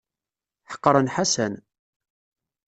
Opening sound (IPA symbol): ħ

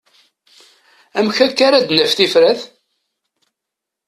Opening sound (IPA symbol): æ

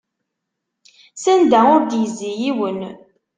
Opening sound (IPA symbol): s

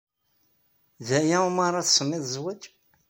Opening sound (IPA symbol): ð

